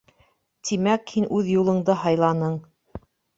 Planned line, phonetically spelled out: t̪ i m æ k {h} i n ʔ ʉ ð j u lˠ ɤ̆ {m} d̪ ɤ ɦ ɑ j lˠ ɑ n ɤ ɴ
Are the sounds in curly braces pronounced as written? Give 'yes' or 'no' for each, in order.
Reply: yes, no

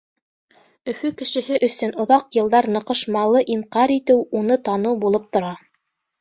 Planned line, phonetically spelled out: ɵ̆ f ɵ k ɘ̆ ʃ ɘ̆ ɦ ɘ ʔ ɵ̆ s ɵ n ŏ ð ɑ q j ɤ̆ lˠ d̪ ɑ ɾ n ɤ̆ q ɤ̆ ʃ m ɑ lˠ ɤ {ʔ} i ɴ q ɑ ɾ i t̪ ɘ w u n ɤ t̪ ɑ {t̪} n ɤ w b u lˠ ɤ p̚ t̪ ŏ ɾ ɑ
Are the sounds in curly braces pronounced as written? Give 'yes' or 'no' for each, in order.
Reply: yes, no

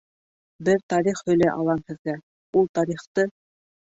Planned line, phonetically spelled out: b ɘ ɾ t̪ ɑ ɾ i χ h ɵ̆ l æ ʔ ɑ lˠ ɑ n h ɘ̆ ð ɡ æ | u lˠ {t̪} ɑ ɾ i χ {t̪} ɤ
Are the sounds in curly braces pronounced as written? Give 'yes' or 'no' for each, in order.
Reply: yes, yes

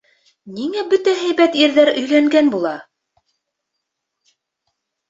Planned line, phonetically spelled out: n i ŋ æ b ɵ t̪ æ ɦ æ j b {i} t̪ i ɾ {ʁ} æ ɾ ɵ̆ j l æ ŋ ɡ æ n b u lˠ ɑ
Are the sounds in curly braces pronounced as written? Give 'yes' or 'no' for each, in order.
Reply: no, no

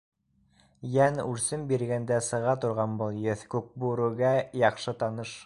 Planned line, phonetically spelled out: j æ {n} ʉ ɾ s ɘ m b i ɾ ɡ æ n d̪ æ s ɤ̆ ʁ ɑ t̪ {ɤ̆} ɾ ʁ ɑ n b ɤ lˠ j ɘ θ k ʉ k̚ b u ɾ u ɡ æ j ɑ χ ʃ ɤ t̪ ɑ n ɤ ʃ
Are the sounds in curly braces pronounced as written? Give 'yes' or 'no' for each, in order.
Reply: yes, no

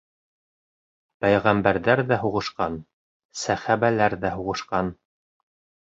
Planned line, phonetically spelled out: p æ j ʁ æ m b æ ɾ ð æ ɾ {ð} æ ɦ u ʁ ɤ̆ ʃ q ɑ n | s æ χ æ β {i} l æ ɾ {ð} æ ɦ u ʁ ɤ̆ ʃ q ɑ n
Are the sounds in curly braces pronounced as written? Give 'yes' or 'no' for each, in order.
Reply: yes, no, yes

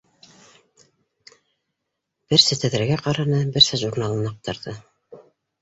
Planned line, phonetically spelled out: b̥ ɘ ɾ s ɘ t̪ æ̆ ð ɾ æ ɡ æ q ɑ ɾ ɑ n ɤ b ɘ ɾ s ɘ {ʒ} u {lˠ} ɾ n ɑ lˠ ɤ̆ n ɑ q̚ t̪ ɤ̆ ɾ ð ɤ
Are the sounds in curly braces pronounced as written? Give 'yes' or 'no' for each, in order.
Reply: yes, no

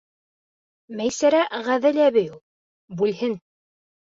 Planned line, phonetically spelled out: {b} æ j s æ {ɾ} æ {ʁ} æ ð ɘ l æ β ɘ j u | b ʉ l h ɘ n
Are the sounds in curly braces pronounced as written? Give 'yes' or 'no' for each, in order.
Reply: no, yes, yes

